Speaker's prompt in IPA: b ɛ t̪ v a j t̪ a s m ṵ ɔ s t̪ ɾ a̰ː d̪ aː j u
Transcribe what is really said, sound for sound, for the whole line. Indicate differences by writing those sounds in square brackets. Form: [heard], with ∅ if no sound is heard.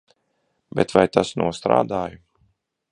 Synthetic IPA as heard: b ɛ t̪ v a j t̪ a s [n] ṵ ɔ s t̪ ɾ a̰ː d̪ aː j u